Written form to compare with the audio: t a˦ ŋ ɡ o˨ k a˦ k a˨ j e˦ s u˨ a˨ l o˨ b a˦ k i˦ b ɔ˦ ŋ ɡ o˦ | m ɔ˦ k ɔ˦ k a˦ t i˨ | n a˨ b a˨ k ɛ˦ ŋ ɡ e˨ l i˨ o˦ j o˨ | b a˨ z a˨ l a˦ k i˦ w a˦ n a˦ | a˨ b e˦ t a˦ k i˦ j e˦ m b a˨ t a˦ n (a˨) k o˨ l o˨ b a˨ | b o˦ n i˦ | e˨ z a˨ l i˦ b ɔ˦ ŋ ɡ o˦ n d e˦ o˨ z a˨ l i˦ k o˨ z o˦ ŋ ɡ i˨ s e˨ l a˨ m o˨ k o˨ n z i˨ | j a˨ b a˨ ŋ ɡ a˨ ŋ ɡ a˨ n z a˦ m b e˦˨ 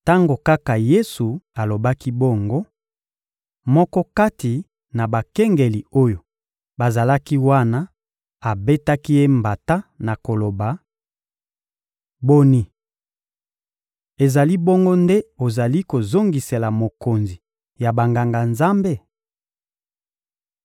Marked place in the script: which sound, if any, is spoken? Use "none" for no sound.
a˨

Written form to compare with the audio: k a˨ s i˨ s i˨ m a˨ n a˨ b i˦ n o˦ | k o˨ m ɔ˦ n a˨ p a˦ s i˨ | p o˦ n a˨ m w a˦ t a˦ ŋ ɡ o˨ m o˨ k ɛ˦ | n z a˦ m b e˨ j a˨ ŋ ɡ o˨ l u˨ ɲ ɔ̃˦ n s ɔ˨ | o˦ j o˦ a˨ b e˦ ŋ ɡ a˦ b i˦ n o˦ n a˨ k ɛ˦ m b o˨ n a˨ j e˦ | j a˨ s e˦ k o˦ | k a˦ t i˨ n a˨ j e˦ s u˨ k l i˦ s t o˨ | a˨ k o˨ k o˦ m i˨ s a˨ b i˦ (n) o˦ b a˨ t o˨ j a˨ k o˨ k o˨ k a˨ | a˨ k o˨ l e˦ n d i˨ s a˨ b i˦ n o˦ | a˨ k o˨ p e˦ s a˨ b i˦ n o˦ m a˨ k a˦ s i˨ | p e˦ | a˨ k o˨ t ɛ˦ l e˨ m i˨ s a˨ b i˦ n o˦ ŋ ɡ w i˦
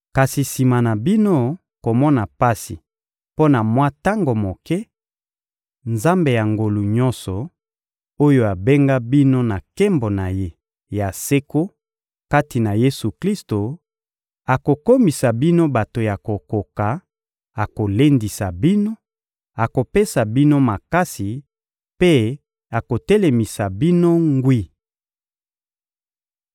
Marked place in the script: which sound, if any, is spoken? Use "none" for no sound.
n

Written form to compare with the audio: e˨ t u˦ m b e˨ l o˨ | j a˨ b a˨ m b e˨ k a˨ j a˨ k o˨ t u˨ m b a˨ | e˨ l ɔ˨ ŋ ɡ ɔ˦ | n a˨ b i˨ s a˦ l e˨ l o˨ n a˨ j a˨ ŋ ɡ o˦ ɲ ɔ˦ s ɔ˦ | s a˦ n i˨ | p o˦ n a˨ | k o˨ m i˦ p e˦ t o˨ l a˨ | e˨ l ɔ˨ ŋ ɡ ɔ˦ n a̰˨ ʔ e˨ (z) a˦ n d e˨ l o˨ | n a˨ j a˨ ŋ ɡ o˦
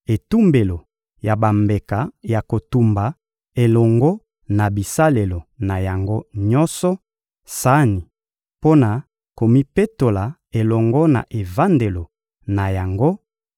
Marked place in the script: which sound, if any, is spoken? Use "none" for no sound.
v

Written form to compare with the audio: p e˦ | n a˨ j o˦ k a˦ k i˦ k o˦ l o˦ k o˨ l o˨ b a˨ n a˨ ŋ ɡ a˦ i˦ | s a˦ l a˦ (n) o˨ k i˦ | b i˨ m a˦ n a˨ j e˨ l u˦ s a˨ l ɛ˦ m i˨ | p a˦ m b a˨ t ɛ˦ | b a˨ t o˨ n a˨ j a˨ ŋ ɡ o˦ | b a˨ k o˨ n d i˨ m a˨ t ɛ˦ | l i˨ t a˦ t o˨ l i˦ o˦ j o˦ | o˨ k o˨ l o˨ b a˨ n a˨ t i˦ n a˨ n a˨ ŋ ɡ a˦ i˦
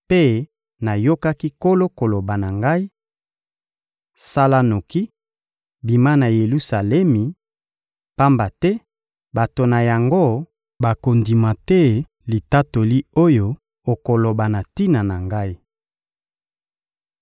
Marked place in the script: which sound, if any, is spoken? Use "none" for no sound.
n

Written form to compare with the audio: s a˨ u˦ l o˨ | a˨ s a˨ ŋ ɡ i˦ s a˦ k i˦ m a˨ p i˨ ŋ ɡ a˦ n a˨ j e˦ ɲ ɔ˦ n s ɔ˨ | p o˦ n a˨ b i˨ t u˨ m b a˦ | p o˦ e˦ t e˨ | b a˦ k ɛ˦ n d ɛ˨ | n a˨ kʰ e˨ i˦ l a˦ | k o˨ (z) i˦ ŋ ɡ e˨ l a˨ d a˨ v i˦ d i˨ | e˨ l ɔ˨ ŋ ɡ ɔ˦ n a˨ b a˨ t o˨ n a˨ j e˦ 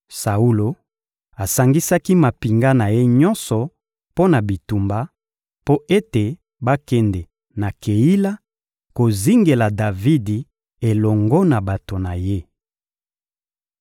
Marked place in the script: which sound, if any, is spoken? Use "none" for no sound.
z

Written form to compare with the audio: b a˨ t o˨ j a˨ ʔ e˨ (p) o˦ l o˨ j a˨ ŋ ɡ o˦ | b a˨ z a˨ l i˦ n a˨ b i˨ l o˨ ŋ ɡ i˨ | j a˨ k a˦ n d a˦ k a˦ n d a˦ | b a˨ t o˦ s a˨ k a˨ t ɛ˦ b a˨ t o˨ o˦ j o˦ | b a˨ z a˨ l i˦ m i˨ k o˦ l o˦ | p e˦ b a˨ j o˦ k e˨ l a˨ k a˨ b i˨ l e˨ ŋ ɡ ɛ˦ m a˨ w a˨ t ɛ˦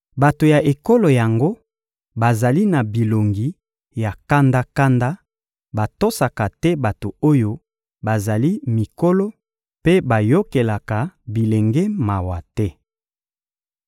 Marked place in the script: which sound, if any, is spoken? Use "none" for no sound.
k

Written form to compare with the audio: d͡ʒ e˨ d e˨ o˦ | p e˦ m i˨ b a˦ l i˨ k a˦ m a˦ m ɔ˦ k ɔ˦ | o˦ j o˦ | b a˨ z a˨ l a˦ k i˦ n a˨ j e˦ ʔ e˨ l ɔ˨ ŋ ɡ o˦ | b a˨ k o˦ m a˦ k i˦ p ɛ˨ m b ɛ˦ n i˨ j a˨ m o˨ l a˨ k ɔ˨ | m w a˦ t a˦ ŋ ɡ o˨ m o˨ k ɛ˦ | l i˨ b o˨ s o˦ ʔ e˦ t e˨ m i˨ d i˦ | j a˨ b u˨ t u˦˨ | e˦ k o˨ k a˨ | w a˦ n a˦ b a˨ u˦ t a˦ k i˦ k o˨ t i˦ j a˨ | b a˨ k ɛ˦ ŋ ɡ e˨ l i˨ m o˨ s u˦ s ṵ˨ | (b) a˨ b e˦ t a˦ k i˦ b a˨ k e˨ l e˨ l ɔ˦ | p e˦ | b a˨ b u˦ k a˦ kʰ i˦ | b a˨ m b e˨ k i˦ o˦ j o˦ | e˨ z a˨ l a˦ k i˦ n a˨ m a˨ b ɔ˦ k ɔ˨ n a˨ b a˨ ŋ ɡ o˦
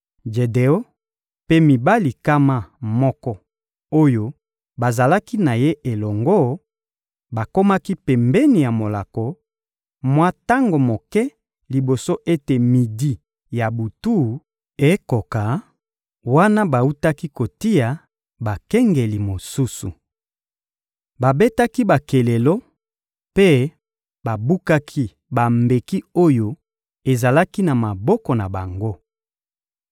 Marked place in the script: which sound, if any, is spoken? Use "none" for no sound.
b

